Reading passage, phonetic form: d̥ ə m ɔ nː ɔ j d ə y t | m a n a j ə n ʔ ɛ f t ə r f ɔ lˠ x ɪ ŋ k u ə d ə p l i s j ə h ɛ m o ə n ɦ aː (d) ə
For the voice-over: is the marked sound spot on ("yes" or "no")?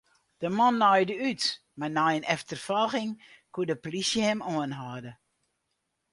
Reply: yes